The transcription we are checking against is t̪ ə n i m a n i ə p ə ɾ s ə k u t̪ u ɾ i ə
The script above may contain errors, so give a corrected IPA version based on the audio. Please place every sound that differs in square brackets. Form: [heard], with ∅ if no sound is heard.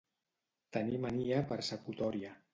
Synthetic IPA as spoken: t̪ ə n i m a n i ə p ə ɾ s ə k u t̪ [ɔ] ɾ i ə